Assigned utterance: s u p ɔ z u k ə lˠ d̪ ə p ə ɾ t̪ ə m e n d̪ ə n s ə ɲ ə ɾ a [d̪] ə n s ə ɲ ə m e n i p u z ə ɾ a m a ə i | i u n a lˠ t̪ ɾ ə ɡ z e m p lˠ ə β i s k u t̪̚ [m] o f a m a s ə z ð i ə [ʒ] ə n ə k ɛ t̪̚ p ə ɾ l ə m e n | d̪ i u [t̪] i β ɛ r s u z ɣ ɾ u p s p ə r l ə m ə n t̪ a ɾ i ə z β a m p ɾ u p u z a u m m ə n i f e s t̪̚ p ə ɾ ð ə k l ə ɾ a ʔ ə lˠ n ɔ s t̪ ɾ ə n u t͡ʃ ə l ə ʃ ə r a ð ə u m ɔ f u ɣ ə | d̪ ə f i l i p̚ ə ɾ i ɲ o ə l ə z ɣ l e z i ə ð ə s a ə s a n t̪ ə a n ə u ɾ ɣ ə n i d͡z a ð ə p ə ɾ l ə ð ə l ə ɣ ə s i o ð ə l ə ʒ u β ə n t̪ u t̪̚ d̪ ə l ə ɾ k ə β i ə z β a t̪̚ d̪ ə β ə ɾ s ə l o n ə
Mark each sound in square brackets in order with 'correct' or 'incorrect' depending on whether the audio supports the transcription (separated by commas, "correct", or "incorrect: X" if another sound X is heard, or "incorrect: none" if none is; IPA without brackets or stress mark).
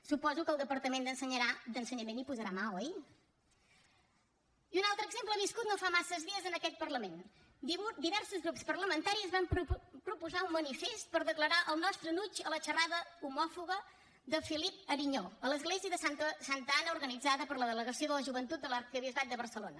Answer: correct, incorrect: n, incorrect: z, incorrect: d̪